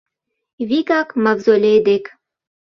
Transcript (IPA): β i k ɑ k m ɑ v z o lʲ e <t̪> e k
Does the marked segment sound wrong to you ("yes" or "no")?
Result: yes